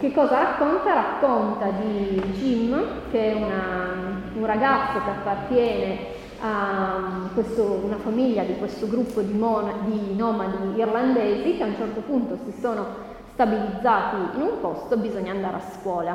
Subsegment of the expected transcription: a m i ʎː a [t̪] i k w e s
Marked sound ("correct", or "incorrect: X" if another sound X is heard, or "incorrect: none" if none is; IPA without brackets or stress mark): incorrect: d̪